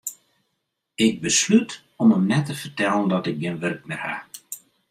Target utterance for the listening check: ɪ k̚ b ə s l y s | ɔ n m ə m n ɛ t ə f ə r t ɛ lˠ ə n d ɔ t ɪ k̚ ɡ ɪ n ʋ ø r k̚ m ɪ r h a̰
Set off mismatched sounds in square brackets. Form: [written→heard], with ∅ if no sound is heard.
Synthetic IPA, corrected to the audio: ɪ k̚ b ə s l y [s→t] | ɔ [n→∅] m ə m n ɛ t ə f ə r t ɛ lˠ ə n d ɔ t ɪ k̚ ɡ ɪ n ʋ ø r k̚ m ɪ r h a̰

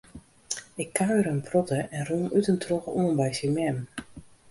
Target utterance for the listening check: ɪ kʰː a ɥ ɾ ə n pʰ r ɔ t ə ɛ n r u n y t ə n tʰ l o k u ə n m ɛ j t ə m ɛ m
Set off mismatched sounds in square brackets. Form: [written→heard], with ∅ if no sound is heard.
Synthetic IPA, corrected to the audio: ɪ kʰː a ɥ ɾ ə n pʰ r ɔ t ə ɛ n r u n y t ə n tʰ [l→r] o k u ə n [m→b] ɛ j [t→s] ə m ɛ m

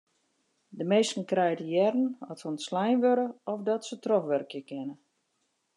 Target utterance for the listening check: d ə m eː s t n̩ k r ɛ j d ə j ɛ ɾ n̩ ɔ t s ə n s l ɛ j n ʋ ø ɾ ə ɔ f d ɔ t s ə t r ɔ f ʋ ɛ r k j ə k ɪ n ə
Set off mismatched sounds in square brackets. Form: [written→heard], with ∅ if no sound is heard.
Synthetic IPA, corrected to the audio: d ə m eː s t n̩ k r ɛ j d ə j ɛ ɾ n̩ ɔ t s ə n s l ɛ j n ʋ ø ɾ ə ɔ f d ɔ t s ə t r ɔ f ʋ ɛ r k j ə k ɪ n ə

